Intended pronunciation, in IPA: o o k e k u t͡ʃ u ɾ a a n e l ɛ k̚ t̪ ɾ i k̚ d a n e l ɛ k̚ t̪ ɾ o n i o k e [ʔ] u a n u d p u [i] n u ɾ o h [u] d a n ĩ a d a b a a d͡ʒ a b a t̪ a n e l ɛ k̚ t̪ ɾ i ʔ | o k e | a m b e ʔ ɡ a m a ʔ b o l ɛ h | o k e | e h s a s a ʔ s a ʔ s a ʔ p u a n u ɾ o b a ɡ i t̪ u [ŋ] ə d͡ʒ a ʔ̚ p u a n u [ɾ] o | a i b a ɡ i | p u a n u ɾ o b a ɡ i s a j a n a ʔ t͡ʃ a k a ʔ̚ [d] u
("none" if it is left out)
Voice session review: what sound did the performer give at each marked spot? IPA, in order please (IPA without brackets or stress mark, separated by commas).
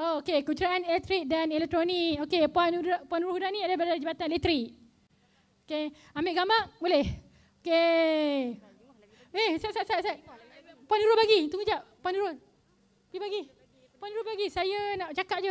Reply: p, a, u, ŋ, ɾ, d͡ʒ